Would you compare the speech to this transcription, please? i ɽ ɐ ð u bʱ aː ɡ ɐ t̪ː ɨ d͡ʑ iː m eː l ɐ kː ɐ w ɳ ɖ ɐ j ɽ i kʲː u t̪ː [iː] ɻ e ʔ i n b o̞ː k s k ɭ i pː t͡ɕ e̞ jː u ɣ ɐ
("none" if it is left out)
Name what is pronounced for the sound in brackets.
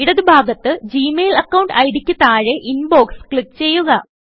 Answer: aː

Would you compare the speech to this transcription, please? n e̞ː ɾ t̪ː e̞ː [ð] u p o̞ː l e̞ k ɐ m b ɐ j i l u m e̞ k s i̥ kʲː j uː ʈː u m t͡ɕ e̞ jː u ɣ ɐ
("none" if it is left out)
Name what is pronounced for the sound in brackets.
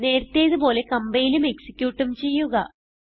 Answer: ð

